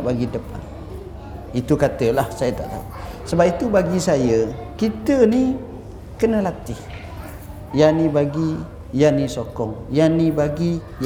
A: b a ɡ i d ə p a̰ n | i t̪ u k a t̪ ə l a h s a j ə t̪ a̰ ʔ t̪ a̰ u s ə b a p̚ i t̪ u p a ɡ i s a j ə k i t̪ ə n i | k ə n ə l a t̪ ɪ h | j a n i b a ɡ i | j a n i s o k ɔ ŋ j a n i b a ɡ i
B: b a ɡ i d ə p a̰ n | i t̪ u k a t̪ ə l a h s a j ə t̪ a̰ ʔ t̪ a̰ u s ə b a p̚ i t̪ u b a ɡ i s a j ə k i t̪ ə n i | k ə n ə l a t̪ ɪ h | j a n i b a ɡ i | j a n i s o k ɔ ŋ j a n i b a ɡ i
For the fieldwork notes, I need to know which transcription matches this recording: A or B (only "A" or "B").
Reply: B